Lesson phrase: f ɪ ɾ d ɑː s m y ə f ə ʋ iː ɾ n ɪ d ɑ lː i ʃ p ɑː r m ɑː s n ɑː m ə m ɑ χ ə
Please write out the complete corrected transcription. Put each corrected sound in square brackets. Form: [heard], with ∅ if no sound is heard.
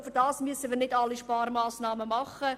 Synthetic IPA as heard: f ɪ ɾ d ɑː s m y ə [s] ə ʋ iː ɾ n ɪ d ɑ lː i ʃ p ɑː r m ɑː s n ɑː m ə m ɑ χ ə